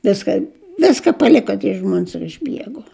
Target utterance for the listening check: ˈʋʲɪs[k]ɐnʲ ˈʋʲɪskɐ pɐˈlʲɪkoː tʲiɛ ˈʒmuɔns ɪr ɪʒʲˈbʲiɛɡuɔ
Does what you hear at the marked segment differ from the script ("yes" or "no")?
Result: no